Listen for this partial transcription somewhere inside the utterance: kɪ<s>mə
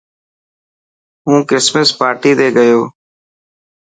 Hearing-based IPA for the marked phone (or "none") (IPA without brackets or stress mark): s